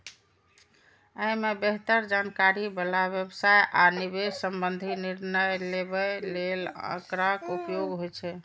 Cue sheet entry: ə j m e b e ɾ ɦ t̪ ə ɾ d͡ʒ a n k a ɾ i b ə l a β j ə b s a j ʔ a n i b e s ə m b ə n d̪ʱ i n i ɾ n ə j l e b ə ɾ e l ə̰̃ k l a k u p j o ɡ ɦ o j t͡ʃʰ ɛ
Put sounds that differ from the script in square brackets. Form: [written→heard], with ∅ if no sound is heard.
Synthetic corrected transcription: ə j m e b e [ɾ→∅] ɦ t̪ ə ɾ d͡ʒ a n k a ɾ i b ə l a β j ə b s a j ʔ a n i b e s ə m b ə n d̪ʱ i n i ɾ n ə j l e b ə [ɾ→l] e l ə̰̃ k [l→ɾ] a k u p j o ɡ ɦ o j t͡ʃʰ ɛ